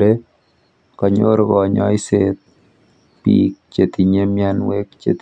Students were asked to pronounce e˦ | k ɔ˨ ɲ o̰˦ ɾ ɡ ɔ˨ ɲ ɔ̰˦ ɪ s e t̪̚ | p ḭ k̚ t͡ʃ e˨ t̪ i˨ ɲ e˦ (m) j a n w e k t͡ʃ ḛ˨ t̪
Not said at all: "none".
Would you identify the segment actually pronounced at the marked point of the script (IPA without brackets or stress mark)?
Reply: m